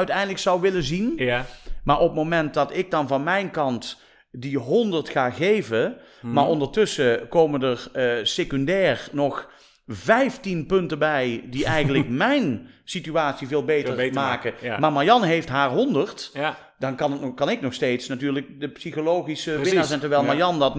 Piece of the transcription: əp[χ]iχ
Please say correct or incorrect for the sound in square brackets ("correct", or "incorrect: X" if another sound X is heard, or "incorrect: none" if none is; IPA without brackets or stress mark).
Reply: incorrect: s